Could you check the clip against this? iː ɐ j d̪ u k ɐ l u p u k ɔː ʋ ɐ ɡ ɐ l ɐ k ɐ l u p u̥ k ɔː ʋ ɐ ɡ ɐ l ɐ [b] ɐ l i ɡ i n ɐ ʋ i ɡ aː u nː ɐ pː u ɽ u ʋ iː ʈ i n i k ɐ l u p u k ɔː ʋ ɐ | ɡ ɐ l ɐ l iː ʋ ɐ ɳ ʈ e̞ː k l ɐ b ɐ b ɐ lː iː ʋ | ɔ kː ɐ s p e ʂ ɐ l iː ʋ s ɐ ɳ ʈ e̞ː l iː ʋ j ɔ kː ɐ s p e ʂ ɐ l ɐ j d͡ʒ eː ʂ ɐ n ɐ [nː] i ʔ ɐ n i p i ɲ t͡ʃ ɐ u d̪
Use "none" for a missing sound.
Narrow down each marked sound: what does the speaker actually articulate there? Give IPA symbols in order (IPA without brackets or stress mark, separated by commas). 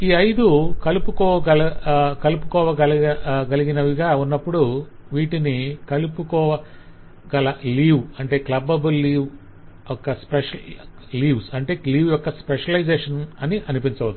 ɡ, n